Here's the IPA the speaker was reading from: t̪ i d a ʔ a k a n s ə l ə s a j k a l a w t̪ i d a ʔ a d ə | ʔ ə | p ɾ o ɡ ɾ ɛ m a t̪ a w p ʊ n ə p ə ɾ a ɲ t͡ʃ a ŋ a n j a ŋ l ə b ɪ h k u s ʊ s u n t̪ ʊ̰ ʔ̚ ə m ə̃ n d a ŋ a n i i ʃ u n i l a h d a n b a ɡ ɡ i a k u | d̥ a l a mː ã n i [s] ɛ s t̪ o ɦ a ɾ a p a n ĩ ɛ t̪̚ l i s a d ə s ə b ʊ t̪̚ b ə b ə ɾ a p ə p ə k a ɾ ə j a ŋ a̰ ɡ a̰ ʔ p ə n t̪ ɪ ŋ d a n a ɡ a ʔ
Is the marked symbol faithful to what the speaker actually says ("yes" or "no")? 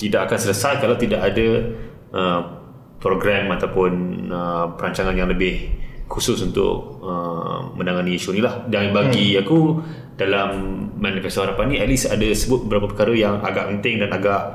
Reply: no